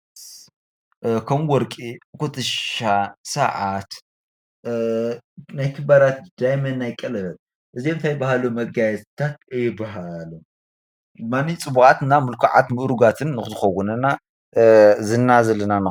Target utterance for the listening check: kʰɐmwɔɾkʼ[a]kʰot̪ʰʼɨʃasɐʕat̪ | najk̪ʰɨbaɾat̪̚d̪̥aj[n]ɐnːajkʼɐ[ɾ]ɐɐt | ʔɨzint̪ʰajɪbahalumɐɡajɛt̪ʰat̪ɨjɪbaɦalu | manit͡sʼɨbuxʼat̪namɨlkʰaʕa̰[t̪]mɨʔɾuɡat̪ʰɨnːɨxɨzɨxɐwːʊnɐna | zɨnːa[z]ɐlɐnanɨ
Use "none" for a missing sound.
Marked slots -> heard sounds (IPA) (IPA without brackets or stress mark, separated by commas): i, m, l, t̪, z